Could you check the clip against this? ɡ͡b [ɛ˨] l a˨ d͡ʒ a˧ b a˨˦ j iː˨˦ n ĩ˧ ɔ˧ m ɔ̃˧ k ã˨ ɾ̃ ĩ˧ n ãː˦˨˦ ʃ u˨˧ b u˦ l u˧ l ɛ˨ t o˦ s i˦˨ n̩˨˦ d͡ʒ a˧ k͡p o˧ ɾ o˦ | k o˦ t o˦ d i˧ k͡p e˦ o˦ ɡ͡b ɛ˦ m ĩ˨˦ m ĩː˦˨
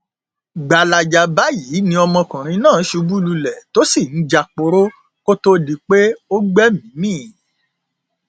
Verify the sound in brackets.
incorrect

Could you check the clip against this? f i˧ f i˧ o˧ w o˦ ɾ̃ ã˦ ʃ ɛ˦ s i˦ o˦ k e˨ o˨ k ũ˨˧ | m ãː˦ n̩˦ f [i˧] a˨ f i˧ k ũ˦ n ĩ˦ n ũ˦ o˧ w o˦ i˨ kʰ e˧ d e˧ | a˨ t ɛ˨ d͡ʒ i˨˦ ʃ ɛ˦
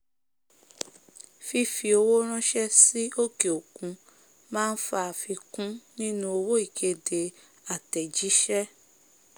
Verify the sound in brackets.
incorrect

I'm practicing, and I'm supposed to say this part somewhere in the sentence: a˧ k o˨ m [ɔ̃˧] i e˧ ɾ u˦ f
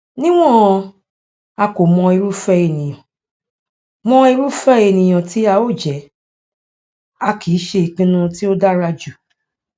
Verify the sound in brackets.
correct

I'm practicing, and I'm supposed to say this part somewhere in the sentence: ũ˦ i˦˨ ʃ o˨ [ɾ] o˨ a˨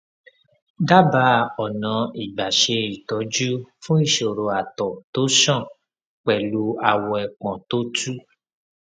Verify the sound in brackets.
correct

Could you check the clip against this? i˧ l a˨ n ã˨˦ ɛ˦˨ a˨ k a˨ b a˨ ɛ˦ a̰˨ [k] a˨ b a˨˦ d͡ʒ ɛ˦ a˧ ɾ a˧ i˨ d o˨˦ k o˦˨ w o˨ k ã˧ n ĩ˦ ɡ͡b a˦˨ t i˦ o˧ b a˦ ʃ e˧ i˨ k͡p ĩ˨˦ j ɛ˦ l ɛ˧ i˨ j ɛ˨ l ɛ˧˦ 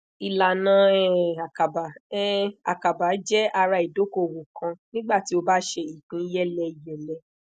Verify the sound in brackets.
correct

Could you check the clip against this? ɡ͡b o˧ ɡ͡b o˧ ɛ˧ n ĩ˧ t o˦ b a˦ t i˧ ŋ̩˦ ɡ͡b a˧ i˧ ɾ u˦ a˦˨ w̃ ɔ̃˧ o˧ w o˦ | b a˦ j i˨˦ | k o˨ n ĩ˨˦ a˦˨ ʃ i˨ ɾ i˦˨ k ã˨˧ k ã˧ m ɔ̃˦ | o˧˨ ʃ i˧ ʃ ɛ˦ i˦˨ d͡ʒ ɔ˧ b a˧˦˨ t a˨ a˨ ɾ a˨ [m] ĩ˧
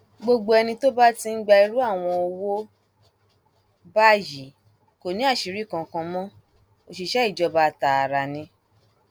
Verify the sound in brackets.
incorrect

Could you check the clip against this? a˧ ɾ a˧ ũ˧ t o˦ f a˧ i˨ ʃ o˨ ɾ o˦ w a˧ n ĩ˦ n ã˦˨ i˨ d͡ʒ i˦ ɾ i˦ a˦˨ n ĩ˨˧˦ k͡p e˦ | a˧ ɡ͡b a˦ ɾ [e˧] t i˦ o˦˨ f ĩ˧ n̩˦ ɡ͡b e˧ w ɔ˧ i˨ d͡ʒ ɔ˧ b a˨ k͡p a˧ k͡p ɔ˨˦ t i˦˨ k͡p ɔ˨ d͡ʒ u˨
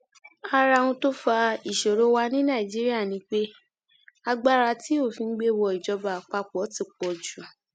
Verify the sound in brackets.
incorrect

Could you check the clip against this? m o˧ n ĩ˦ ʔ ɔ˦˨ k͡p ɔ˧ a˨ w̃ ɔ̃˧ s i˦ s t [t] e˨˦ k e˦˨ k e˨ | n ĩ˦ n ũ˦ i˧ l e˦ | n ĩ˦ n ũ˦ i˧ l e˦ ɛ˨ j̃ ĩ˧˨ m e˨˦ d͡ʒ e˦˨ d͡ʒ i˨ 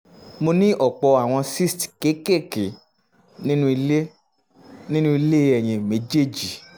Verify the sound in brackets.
incorrect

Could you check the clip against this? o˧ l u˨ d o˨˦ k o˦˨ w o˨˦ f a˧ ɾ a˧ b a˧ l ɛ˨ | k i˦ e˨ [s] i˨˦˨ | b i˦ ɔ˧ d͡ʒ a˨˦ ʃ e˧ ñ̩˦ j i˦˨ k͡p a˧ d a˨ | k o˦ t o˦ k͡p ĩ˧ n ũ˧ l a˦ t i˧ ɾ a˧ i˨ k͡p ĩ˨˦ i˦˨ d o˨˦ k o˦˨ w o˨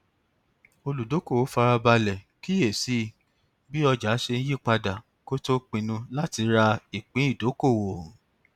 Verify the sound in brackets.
correct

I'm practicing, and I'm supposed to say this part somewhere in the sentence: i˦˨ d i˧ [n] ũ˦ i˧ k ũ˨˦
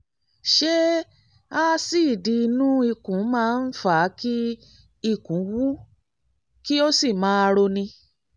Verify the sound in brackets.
correct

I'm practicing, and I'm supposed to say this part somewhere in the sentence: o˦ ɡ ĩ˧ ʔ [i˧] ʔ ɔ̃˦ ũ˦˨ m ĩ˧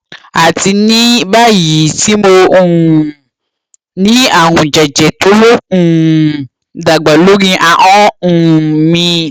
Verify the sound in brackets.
incorrect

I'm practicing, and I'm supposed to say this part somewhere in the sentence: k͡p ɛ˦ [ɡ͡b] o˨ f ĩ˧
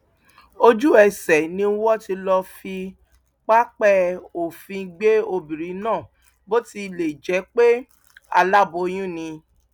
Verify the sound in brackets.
incorrect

